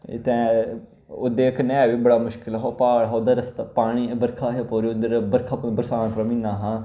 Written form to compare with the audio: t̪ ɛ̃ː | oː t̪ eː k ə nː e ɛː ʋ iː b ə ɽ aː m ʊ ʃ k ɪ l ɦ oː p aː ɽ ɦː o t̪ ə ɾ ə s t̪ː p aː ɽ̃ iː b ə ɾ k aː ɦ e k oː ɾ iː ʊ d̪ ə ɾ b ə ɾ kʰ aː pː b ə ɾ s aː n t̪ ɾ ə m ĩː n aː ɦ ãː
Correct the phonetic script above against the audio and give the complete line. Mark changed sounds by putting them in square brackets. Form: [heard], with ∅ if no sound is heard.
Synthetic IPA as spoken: t̪ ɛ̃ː | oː [d̪] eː k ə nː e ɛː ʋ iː b ə ɽ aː m ʊ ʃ k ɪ l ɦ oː p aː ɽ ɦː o [d̪] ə ɾ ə s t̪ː p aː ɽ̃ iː b ə ɾ [kʰ] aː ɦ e [p] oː ɾ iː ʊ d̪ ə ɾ b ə ɾ kʰ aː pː b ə ɾ s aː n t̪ ɾ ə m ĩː n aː ɦ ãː